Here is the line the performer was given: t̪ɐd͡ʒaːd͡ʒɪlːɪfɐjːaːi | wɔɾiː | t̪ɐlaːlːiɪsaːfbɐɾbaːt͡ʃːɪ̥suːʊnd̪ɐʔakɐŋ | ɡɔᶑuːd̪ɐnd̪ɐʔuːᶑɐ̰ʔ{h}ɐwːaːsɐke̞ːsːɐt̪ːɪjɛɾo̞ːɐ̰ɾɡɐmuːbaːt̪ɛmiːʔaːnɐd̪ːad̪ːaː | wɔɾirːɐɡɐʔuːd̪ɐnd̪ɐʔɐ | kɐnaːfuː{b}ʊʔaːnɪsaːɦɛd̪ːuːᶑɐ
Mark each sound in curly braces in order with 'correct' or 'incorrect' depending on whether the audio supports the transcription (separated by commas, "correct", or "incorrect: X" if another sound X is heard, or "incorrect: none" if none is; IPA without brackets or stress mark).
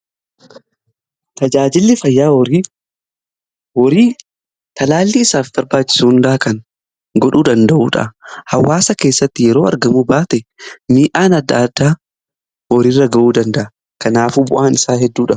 correct, correct